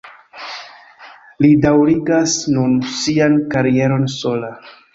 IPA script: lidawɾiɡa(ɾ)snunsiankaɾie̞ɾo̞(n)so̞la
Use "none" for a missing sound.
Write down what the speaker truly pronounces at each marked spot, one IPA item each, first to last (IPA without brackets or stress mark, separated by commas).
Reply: none, n